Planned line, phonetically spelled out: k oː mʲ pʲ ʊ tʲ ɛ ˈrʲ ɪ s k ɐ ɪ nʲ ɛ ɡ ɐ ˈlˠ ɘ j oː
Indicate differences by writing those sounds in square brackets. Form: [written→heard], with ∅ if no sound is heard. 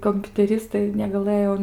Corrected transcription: k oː mʲ pʲ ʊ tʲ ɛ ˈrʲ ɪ s [k→t] ɐ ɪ nʲ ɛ ɡ ɐ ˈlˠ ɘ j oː